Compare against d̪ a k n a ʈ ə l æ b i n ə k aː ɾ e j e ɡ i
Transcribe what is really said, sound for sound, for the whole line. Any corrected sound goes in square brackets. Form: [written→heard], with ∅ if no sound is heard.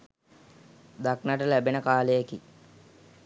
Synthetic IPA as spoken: d̪ a k n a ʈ ə l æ b [i→e] n ə k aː [ɾ→l] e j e [ɡ→k] i